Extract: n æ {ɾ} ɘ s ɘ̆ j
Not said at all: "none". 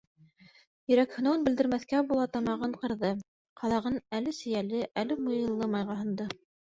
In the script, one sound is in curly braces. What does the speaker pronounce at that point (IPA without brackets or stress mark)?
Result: l